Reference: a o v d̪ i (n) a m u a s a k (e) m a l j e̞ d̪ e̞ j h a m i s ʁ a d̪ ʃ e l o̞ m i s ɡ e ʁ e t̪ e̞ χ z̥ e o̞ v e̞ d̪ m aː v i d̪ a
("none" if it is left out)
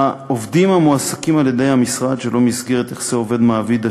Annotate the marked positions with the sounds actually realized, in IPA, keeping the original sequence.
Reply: m, i

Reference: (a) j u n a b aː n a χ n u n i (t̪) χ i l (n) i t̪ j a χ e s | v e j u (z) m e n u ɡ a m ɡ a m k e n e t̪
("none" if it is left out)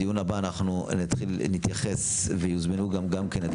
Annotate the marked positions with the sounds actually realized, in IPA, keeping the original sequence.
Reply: i, t̪, n, z

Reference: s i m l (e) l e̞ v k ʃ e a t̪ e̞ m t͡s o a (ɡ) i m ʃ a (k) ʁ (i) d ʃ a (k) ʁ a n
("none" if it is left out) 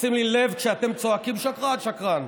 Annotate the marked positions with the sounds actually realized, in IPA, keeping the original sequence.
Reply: i, k, k, a, k

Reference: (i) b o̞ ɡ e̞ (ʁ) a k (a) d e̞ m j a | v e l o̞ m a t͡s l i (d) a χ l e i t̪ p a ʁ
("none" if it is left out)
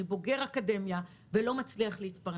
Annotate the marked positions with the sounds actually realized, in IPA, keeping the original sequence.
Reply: i, ʁ, a, none

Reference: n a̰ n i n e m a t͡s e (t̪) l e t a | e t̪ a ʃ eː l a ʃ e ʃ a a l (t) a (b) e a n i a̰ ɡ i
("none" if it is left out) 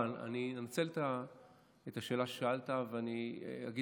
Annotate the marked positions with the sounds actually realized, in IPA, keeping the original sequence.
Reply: none, t, v

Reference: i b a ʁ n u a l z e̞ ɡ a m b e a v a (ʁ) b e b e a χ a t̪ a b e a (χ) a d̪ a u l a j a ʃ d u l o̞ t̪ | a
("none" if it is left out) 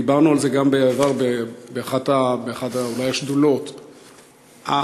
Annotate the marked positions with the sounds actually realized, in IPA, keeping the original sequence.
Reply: ʁ, χ

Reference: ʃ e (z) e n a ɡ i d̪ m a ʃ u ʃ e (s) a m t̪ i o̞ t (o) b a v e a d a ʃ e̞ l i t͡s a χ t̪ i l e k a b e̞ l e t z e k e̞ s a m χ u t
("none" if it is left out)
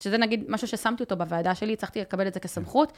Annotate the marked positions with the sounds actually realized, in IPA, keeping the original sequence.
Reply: z, s, o

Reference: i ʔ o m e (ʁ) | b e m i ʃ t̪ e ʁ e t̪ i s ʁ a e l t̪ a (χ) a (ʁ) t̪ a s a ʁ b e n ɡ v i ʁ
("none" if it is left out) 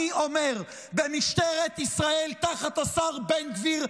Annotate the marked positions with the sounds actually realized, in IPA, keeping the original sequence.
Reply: ʁ, χ, none

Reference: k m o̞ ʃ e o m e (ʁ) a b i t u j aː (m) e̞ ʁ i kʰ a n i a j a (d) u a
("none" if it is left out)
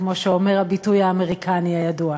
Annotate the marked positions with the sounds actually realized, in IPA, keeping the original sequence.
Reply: ʁ, m, d

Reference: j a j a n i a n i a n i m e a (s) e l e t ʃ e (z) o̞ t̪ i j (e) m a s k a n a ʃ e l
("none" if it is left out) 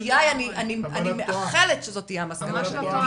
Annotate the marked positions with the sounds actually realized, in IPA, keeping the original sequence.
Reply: χ, z, a

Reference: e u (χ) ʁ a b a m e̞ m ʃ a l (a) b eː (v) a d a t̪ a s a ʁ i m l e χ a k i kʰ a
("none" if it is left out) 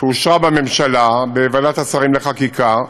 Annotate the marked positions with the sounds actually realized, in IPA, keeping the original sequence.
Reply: ʃ, a, v

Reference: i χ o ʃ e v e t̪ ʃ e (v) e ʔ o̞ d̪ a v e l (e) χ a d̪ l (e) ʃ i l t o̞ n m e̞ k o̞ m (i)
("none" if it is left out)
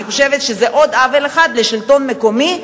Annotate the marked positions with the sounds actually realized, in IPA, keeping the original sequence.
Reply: z, e, e, i

